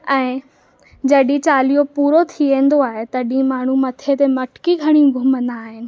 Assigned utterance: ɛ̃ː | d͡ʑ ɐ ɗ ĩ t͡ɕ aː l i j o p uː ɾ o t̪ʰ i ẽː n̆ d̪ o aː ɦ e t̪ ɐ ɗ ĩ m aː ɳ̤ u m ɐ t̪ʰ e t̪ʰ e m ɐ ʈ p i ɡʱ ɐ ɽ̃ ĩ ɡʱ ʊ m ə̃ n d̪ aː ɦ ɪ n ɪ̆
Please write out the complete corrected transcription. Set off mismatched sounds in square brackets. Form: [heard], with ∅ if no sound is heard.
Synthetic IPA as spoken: ɛ̃ː | d͡ʑ ɐ ɗ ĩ t͡ɕ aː l i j o p uː ɾ o t̪ʰ i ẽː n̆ d̪ o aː ɦ e t̪ ɐ ɗ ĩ m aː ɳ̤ u m ɐ t̪ʰ e [t̪] e m ɐ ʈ [k] i ɡʱ ɐ ɽ̃ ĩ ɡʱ ʊ m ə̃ n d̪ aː ɦ ɪ n ɪ̆